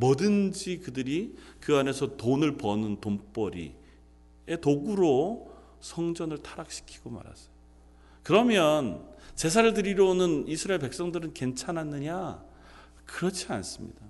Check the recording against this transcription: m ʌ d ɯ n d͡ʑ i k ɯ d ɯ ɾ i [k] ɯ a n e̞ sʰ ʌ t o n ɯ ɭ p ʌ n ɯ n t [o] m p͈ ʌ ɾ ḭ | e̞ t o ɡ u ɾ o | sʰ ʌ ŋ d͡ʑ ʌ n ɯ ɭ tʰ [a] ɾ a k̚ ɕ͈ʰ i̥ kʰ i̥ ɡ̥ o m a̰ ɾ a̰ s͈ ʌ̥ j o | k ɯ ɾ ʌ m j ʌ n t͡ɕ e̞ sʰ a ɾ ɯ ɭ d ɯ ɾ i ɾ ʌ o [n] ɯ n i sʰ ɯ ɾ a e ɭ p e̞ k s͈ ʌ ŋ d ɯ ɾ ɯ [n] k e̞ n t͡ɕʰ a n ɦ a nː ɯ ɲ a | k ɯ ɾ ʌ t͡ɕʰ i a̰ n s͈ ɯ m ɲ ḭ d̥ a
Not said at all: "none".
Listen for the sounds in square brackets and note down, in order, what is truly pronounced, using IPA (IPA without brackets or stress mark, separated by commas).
k, o, a, n, n